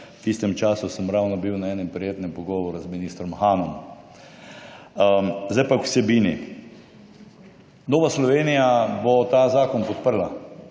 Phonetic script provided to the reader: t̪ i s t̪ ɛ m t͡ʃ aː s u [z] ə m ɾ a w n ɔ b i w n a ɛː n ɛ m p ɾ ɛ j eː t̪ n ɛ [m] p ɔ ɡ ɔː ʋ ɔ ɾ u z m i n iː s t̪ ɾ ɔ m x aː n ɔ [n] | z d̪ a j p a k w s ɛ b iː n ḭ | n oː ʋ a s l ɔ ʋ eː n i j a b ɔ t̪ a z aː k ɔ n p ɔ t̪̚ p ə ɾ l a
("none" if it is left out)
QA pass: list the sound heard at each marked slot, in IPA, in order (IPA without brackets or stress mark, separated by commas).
s, m, m